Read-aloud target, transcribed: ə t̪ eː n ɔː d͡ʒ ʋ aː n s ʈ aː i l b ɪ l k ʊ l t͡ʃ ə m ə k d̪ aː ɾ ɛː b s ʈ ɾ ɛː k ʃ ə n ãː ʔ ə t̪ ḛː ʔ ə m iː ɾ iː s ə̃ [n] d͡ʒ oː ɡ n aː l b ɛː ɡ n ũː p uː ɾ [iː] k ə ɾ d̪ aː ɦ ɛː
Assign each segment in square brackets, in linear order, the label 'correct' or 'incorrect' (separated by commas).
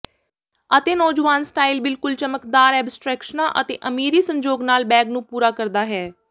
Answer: incorrect, incorrect